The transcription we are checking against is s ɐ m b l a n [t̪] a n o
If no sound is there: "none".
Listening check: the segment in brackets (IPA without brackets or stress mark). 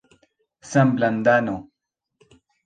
d̪